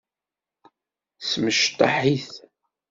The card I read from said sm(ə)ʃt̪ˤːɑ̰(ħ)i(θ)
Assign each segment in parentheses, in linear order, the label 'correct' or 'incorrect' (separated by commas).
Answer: correct, correct, correct